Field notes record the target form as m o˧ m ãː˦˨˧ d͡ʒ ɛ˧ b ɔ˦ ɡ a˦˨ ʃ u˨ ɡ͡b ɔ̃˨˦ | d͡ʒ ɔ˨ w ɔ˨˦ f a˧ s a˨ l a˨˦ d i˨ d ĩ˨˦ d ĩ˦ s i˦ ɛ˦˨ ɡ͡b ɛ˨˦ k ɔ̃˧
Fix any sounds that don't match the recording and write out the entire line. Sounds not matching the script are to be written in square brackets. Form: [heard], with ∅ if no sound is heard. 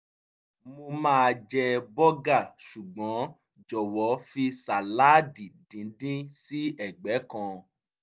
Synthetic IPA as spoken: m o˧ m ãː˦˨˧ d͡ʒ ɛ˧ b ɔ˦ ɡ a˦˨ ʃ u˨ ɡ͡b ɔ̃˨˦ | d͡ʒ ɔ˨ w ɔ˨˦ f [i˧] s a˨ l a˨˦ d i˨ d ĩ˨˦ d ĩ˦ s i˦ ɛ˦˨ ɡ͡b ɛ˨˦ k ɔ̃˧